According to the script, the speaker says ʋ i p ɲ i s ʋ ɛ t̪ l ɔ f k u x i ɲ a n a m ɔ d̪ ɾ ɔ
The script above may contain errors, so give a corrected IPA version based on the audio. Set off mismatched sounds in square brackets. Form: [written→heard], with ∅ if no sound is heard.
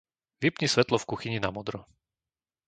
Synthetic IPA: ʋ i p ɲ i s ʋ ɛ t̪ l ɔ f k u x i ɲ [a→i] n a m ɔ d̪ ɾ ɔ